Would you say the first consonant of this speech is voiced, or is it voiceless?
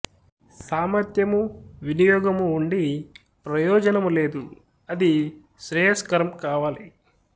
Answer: voiceless